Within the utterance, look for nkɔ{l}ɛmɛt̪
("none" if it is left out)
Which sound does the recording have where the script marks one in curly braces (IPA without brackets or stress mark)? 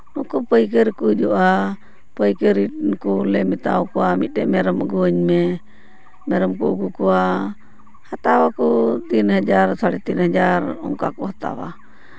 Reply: l